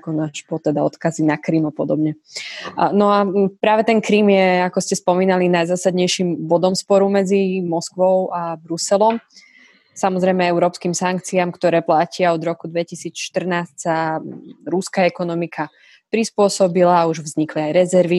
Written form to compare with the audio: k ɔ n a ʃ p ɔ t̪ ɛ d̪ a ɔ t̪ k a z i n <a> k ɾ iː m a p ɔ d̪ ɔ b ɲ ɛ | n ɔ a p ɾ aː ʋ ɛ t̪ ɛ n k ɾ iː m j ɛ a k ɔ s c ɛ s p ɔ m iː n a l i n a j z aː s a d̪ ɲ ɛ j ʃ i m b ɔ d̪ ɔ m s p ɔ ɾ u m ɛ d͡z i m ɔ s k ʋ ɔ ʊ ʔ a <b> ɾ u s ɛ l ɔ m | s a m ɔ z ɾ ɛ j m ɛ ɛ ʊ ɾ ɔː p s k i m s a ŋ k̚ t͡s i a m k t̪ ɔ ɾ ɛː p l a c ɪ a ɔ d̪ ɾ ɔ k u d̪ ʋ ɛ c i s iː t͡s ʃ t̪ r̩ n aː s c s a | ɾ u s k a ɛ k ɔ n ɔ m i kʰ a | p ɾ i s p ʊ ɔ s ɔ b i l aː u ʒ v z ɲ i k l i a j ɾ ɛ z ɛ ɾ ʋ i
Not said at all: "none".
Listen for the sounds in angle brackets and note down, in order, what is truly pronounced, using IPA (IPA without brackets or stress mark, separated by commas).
a, b